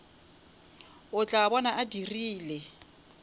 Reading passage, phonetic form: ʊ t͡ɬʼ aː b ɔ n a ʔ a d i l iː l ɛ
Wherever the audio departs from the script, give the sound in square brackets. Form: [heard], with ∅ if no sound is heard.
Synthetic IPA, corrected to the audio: ʊ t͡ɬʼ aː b ɔ n a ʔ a d i [r] iː l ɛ